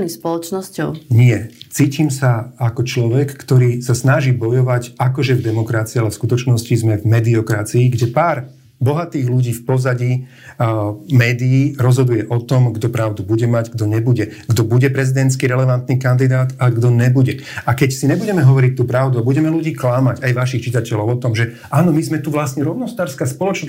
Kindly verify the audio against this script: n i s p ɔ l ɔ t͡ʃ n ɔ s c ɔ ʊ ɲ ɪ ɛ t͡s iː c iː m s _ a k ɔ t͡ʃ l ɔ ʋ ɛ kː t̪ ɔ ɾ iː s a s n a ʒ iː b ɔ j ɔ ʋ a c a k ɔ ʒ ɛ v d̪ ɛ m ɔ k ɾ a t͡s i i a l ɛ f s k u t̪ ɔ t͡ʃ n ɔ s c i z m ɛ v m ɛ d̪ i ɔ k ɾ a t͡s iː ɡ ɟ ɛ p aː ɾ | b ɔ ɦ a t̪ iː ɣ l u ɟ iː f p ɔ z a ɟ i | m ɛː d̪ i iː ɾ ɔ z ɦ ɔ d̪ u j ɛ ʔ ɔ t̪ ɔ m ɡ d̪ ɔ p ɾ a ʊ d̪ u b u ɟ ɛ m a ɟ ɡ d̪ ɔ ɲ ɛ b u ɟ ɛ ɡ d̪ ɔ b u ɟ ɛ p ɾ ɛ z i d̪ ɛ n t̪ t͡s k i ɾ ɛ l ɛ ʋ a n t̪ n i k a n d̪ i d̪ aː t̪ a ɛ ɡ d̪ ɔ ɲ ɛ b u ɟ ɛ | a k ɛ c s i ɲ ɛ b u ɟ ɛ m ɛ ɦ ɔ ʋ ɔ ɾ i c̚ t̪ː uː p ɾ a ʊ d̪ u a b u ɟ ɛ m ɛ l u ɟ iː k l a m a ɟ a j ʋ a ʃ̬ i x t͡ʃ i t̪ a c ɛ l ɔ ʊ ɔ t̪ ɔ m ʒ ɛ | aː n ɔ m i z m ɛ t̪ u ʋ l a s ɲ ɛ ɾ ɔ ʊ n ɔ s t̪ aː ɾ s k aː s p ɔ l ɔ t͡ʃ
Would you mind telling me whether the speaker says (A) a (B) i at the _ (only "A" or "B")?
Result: A